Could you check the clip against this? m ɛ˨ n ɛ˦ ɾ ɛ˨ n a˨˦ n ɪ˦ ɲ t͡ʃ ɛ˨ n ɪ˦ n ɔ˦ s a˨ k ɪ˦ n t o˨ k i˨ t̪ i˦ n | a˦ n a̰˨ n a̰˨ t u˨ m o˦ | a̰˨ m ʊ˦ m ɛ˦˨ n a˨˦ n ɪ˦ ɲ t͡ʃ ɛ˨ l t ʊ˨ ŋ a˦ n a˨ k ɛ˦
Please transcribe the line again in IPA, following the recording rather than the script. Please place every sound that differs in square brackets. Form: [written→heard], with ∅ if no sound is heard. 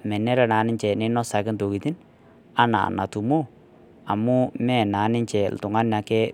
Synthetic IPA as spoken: m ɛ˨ n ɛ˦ ɾ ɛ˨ n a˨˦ n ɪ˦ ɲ t͡ʃ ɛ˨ n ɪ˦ n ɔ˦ s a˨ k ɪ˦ n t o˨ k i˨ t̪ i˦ n | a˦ n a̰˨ n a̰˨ t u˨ m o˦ | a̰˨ m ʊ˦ m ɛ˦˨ n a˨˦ n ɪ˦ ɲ t͡ʃ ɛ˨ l t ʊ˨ ŋ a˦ n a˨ k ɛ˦